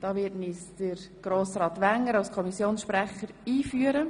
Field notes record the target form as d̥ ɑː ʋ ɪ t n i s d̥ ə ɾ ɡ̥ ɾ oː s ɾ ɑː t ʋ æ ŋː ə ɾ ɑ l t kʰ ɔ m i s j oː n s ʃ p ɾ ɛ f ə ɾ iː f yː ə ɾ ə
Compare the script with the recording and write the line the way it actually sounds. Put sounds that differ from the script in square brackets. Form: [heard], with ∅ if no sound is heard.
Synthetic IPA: d̥ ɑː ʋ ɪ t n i s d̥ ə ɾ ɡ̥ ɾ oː s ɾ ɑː t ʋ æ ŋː ə ɾ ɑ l [s] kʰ ɔ m i s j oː n s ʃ p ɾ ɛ [χ] ə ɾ iː f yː ə ɾ ə